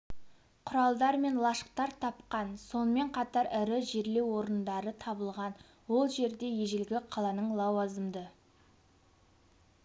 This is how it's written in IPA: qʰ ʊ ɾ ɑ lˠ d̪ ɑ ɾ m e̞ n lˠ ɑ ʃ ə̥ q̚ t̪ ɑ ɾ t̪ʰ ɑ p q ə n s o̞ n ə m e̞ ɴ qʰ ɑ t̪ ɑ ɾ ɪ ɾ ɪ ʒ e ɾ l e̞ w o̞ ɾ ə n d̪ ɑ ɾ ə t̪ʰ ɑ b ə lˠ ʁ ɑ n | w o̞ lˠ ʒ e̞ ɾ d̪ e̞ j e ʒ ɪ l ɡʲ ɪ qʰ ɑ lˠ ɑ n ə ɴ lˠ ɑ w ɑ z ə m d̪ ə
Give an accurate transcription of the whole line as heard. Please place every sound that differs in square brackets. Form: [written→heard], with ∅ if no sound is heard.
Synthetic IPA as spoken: qʰ ʊ ɾ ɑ lˠ d̪ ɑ ɾ m e̞ n lˠ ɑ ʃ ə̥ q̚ t̪ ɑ ɾ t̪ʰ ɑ p q [ə→ɑ] n s o̞ n ə m e̞ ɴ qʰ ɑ t̪ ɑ ɾ ɪ ɾ ɪ ʒ e ɾ l e̞ w o̞ ɾ ə n d̪ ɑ ɾ ə t̪ʰ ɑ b ə lˠ ʁ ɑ n | w o̞ lˠ ʒ e̞ ɾ d̪ e̞ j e ʒ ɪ l ɡʲ ɪ qʰ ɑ lˠ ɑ n ə ɴ lˠ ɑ w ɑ z ə m d̪ ə

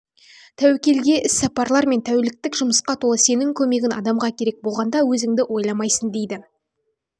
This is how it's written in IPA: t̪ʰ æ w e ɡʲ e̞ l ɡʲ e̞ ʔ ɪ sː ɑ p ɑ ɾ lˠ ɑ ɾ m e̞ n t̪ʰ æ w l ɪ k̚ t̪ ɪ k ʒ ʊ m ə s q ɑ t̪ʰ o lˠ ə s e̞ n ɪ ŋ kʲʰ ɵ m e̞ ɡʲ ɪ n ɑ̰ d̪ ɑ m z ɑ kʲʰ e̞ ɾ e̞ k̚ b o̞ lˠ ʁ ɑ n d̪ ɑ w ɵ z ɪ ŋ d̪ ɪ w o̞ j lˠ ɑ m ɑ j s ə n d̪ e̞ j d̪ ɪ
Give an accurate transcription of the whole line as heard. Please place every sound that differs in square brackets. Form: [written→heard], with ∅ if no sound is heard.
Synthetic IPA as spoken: t̪ʰ æ w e [ɡʲ→kʲ] e̞ l ɡʲ e̞ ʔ ɪ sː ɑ p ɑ ɾ lˠ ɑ ɾ m e̞ n t̪ʰ æ w l ɪ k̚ t̪ ɪ k ʒ ʊ m ə s q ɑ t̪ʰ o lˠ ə s e̞ n ɪ ŋ kʲʰ ɵ m e̞ ɡʲ ɪ n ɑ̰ d̪ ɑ m [z→ʁ] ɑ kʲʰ e̞ ɾ e̞ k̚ b o̞ lˠ ʁ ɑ n d̪ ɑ w ɵ z ɪ ŋ d̪ ɪ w o̞ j lˠ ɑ m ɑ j s ə n d̪ e̞ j d̪ ɪ

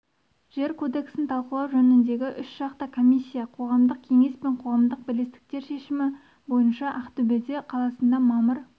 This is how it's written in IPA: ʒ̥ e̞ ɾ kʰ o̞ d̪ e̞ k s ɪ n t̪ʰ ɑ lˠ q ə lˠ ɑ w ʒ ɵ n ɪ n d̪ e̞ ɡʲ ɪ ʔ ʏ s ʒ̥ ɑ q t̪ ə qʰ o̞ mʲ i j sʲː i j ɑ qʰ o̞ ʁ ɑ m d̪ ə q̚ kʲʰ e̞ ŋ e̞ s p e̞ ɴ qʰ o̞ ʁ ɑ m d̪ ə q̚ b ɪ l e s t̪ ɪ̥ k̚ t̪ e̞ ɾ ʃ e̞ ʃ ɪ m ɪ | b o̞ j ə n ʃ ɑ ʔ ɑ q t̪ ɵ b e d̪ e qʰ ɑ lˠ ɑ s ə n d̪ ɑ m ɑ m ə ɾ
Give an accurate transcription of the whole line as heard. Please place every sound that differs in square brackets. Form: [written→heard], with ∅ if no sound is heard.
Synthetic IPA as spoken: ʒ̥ e̞ ɾ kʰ o̞ d̪ e̞ k s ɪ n t̪ʰ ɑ lˠ q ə lˠ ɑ w ʒ ɵ n ɪ n d̪ e̞ ɡʲ ɪ ʔ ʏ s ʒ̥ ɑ q t̪ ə [qʰ→kʰ] o̞ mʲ i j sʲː i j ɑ qʰ o̞ ʁ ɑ m d̪ ə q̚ kʲʰ e̞ ŋ e̞ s p e̞ ɴ qʰ o̞ ʁ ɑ m d̪ ə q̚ b ɪ l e s t̪ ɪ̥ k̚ t̪ e̞ ɾ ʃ e̞ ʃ ɪ m ɪ | b o̞ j ə n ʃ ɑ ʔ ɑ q t̪ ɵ b e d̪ e qʰ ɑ lˠ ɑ s ə n d̪ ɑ m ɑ m ə ɾ

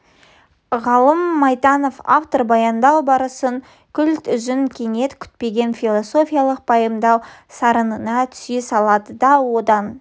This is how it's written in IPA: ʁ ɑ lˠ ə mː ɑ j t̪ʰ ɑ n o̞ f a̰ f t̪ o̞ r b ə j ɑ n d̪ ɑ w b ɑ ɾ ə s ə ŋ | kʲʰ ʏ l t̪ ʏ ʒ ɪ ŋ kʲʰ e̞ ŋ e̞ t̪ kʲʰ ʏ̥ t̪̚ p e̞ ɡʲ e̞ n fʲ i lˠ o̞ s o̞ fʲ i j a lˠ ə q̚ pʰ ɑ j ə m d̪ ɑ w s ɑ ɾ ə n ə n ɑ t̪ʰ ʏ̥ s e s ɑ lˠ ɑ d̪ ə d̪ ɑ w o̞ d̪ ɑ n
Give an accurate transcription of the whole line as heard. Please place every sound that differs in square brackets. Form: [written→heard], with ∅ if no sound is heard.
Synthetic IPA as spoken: ʁ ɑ lˠ ə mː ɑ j [t̪ʰ→t̪] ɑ n o̞ f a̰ f t̪ o̞ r b [ə→ɑ] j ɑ n d̪ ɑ w b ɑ ɾ ə s ə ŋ | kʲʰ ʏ l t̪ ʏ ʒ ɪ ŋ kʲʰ e̞ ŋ e̞ t̪ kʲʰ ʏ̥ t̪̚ p e̞ ɡʲ e̞ n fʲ i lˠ o̞ s o̞ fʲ i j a lˠ ə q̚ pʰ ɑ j ə m d̪ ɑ w s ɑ ɾ ə n ə n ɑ t̪ʰ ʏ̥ s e s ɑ lˠ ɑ d̪ ə d̪ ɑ w o̞ d̪ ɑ n

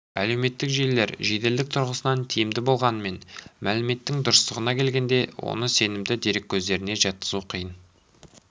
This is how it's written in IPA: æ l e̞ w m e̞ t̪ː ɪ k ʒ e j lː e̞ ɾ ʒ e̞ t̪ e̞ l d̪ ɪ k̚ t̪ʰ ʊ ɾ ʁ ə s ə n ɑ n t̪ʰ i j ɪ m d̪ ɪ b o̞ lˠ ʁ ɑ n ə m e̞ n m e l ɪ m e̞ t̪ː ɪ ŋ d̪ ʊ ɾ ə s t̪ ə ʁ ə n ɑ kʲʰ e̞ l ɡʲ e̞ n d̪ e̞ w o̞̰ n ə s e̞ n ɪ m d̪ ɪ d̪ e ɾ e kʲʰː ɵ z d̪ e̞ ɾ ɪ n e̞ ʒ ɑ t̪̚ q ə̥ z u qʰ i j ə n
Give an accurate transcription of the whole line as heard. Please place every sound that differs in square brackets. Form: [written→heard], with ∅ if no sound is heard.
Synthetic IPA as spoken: æ l e̞ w m e̞ t̪ː ɪ k ʒ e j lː e̞ ɾ ʒ e̞ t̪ e̞ l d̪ ɪ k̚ t̪ʰ ʊ ɾ ʁ ə s ə n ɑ n t̪ʰ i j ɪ m d̪ ɪ b o̞ lˠ ʁ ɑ n ə m e̞ n m [e→æ] l ɪ m e̞ t̪ː ɪ ŋ d̪ ʊ ɾ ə s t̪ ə ʁ ə n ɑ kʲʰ e̞ l ɡʲ e̞ n d̪ e̞ w o̞̰ n ə s e̞ n ɪ m d̪ ɪ d̪ e ɾ e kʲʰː ɵ z d̪ e̞ ɾ ɪ n e̞ ʒ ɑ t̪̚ q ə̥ z u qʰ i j ə n

